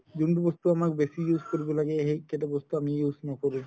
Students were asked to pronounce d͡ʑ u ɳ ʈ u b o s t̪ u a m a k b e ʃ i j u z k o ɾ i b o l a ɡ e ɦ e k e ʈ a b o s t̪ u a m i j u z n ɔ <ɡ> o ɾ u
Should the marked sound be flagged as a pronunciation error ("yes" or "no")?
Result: yes